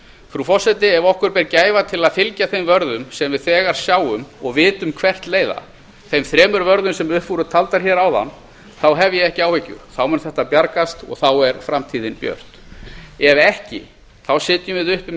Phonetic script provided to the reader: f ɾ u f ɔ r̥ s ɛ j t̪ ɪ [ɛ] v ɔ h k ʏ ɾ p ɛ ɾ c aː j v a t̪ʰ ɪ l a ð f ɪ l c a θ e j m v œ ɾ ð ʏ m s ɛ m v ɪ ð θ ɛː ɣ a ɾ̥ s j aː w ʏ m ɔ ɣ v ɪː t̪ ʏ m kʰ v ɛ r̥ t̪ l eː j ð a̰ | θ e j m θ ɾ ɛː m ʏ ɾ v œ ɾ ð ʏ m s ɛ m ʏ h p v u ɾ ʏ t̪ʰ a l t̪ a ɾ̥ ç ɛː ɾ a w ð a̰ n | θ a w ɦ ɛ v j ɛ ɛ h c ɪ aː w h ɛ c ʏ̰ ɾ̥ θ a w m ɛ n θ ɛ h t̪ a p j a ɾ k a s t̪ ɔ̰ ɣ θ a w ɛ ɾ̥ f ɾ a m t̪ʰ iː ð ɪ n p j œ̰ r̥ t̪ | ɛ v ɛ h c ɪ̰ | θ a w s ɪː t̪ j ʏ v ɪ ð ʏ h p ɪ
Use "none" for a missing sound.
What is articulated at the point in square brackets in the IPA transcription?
ɛ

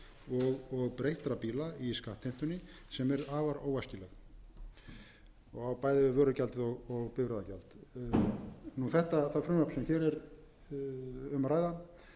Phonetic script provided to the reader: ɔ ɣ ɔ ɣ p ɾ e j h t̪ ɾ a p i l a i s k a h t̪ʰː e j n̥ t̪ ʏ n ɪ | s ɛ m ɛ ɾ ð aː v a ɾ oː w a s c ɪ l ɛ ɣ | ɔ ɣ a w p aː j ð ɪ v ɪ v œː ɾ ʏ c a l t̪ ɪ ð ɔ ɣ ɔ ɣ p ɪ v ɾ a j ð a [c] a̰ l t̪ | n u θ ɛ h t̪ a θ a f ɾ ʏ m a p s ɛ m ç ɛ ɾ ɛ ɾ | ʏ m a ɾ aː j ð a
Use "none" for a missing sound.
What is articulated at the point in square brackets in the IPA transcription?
c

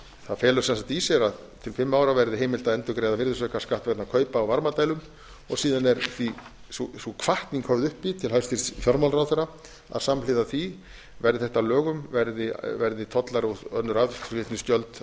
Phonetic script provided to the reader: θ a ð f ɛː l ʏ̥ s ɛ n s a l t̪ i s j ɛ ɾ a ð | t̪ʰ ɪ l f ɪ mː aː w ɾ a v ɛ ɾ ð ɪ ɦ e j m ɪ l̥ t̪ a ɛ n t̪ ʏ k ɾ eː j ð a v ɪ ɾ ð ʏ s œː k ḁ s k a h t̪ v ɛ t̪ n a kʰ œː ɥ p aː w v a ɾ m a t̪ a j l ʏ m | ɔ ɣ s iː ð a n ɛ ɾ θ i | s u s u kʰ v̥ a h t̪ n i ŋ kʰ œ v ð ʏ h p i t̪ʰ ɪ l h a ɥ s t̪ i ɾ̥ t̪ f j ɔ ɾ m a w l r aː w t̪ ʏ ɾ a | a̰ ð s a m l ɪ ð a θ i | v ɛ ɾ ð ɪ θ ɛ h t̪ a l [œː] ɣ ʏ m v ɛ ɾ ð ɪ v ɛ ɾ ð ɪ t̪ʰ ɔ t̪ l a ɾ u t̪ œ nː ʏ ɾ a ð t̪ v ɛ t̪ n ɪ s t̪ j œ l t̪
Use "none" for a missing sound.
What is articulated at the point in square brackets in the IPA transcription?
œː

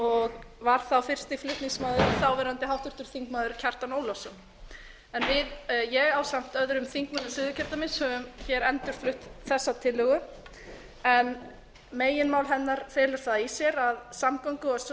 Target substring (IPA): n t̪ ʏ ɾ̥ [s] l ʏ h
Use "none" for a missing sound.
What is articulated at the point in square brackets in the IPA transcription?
f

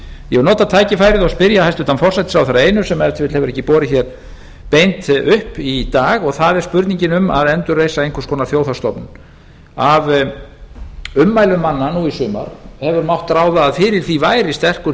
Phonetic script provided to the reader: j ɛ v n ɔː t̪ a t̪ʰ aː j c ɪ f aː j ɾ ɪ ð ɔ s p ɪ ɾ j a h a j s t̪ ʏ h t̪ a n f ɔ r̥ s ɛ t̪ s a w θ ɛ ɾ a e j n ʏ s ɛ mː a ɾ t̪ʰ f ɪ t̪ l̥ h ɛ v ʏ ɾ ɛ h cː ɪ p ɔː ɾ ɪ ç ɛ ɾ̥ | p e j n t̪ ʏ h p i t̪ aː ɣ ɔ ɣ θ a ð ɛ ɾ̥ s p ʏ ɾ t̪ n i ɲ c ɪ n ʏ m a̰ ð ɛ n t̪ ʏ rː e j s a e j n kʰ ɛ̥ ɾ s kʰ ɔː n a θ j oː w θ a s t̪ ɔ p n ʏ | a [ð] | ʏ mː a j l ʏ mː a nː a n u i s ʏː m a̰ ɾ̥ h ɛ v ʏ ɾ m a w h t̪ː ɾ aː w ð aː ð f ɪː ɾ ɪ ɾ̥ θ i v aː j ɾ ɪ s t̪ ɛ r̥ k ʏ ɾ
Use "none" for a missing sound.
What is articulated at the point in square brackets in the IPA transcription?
v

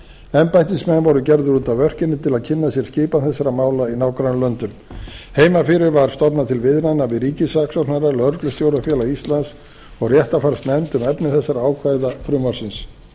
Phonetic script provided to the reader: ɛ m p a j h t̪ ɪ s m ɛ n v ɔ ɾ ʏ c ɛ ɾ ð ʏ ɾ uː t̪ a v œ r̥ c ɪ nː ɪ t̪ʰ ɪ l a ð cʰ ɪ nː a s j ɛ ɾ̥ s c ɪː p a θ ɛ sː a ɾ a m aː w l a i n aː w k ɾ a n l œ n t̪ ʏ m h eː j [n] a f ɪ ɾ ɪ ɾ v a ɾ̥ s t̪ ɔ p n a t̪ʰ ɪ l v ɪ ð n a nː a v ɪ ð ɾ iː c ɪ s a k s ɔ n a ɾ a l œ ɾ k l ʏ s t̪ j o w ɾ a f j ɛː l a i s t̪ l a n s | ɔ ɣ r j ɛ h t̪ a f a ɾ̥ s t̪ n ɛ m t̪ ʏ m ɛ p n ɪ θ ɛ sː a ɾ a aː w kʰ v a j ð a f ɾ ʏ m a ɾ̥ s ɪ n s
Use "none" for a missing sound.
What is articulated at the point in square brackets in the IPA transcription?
m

